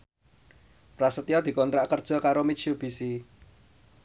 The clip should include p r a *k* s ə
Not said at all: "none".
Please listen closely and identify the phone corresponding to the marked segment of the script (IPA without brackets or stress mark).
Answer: none